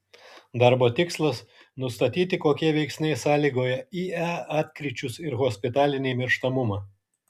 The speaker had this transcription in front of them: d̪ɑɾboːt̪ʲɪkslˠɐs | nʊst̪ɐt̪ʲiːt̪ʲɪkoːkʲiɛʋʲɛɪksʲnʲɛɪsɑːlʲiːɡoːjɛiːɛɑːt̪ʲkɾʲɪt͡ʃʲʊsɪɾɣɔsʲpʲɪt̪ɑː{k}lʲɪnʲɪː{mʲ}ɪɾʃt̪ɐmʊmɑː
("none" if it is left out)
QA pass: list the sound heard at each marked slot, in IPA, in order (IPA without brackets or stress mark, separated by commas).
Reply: none, mʲ